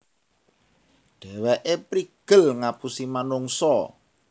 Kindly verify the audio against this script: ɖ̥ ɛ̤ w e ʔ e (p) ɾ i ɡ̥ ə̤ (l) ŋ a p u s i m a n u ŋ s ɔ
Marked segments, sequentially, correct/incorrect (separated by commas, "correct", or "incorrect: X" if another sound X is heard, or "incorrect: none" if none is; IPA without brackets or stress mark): correct, correct